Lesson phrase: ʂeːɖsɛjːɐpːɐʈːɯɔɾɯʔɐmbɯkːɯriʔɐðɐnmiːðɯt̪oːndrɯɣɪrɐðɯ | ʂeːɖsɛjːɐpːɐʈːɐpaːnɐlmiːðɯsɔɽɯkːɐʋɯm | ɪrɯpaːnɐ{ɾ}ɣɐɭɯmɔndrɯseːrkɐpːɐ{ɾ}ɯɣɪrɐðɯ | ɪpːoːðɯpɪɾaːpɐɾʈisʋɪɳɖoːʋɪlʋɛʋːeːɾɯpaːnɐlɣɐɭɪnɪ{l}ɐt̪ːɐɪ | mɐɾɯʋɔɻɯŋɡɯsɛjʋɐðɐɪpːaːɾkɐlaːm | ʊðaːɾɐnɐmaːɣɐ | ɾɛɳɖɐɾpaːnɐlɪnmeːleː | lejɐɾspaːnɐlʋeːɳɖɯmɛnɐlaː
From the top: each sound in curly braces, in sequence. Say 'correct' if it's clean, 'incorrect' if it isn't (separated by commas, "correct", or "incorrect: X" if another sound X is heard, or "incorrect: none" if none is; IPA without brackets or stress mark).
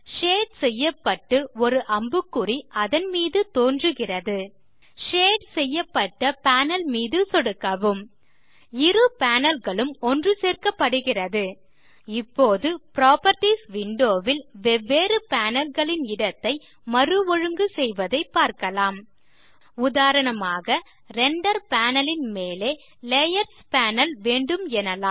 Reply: incorrect: l, incorrect: ɽ, incorrect: ɽ